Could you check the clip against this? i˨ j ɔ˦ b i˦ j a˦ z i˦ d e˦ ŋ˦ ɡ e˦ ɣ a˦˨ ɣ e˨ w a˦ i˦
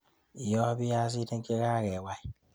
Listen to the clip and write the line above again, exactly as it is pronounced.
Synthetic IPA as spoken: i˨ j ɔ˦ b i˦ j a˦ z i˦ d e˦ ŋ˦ k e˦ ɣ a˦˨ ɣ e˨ w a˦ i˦